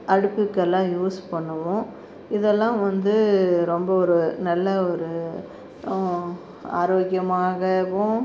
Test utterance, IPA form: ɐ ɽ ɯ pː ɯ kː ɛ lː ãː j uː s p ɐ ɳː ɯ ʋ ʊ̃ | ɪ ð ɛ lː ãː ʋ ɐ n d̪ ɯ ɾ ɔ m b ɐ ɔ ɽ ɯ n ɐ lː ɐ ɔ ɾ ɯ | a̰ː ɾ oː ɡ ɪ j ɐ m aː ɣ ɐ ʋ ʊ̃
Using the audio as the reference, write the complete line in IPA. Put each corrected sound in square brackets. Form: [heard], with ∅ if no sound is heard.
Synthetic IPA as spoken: ɐ ɽ ɯ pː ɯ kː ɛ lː ãː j uː s p ɐ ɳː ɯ ʋ ʊ̃ | ɪ ð ɛ lː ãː ʋ ɐ n d̪ ɯ ɾ ɔ m b ɐ ɔ [ɾ] ɯ n ɐ lː ɐ ɔ ɾ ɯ | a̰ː ɾ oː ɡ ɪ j ɐ m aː ɣ ɐ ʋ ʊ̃